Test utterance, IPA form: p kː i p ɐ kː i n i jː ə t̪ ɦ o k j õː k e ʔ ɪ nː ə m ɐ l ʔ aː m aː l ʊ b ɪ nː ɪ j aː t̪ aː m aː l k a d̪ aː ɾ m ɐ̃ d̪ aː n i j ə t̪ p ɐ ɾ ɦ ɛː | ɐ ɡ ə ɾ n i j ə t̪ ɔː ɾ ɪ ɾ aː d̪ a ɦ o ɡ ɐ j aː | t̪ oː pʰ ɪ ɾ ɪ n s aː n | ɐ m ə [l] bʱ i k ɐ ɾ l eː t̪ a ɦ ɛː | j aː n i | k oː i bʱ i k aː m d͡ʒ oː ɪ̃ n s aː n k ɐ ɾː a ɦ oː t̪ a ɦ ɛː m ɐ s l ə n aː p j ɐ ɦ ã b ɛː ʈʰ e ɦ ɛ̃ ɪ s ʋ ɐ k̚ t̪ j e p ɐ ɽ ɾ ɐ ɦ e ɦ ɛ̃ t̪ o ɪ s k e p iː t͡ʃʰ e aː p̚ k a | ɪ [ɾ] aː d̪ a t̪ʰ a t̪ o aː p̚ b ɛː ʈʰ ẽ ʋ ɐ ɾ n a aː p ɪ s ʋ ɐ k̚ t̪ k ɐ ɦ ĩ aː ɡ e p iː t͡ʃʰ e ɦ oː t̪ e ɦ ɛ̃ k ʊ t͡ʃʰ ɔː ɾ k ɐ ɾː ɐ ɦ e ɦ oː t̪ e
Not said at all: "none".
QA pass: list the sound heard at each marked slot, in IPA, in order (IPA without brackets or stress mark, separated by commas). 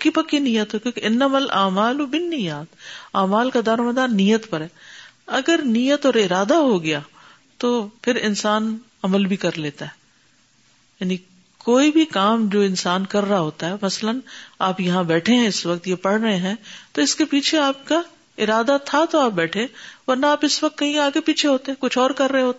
l, ɾ